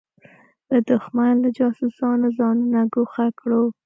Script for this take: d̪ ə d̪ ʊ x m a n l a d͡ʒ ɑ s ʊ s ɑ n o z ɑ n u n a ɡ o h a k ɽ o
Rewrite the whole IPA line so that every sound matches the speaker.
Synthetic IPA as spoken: d̪ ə d̪ ʊ x m a n l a d͡ʒ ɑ s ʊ s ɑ n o z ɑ n u n a ɡ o x a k ɽ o